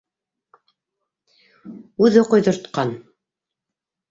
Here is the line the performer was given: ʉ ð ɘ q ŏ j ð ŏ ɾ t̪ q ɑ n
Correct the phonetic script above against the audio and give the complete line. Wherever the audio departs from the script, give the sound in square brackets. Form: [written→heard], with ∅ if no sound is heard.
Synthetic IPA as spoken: ʉ ð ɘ q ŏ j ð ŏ ɾ t̪ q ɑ n